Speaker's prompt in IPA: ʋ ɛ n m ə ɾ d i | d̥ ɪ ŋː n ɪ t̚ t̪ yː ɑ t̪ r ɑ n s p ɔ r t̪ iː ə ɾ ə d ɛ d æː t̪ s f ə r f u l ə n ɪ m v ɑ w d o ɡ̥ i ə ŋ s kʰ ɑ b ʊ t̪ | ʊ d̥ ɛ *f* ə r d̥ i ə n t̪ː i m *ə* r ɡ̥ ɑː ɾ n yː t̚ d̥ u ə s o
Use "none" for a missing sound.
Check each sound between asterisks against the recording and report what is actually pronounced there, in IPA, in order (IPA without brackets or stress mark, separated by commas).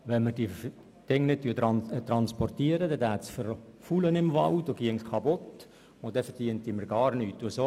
f, ə